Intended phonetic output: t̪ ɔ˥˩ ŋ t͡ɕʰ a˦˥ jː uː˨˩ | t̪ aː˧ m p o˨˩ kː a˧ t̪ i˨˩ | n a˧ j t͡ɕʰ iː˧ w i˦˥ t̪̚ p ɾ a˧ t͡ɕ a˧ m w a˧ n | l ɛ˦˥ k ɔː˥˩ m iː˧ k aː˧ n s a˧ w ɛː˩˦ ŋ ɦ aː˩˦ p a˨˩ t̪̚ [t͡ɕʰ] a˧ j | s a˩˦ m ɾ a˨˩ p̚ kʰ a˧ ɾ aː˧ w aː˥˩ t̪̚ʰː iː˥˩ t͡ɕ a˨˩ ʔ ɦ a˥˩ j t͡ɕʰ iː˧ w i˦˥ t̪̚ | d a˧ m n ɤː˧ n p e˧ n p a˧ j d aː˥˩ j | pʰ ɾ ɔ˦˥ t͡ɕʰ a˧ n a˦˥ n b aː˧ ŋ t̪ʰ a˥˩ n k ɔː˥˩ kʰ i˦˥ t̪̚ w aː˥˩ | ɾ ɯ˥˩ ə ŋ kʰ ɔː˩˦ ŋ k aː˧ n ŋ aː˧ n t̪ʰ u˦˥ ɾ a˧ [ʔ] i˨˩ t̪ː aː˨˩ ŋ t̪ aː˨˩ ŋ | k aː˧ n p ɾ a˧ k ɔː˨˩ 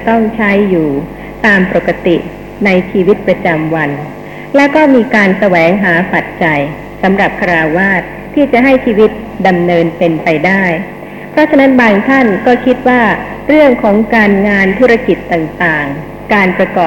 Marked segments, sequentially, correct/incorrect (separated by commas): incorrect, incorrect